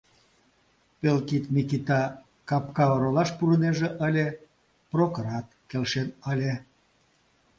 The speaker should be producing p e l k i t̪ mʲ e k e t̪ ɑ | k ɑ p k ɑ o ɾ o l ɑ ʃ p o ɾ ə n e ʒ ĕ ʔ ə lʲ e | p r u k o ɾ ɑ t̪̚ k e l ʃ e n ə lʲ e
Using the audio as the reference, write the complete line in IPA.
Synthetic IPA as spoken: p e l k i t̪ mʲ i k i t̪ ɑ | k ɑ p k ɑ o ɾ o l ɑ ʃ p u ɾ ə n e ʒ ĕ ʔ ə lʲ e | p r o k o ɾ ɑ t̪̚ k e l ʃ e n ə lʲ e